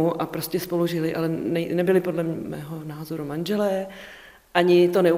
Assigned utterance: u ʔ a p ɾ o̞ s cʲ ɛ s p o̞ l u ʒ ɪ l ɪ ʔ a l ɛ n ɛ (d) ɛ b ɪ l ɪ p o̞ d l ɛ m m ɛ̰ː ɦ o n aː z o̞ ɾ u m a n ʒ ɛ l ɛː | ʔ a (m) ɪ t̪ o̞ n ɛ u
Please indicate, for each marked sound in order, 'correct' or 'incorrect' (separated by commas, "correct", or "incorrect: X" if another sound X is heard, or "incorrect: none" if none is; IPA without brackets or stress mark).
incorrect: n, incorrect: ɲ